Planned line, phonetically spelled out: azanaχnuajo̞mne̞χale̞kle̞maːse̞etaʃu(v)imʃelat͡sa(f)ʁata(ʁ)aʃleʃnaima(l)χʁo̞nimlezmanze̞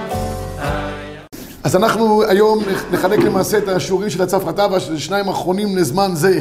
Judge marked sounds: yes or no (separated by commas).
no, yes, no, no